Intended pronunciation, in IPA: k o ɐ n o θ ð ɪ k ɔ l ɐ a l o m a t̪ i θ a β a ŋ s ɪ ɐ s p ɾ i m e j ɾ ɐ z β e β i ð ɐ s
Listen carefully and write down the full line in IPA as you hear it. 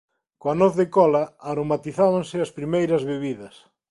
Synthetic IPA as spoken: k o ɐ n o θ ð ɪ k ɔ l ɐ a ɾ o m a t̪ i θ a β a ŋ s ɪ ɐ s p ɾ i m e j ɾ ɐ z β e β i ð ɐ s